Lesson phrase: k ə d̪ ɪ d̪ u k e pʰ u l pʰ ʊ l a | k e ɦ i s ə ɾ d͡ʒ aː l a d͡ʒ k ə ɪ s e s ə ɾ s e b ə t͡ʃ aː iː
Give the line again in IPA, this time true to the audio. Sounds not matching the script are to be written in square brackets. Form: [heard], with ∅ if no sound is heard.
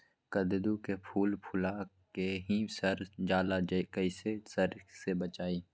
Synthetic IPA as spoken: k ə d̪ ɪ d̪ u k e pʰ [uː] l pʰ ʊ l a | k e ɦ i s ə ɾ d͡ʒ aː l a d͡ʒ k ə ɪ s e s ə ɾ s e b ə t͡ʃ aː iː

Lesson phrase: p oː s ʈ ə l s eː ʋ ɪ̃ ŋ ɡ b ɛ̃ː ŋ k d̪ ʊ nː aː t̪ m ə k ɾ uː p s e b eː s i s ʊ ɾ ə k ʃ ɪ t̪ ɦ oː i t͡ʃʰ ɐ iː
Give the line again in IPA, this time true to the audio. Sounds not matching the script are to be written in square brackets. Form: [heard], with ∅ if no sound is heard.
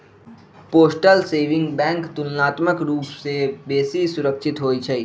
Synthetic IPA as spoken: p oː s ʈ ə l s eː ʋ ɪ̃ ŋ ɡ b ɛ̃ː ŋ k [t̪] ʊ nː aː t̪ m ə k ɾ uː p s e b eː s i s ʊ ɾ ə k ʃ ɪ t̪ ɦ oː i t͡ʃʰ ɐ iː

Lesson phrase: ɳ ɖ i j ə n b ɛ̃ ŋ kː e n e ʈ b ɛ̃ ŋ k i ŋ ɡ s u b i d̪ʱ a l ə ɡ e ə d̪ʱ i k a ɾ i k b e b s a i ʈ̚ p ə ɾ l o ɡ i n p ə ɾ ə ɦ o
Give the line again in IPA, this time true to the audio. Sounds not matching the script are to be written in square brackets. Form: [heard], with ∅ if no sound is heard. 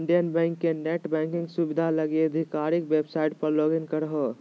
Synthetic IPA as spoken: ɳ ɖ i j ə n b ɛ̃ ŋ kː e n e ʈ b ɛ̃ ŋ k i ŋ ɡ s u b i d̪ʱ a l ə ɡ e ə d̪ʱ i k a ɾ i k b e b s a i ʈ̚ p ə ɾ l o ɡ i n [k] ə ɾ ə ɦ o

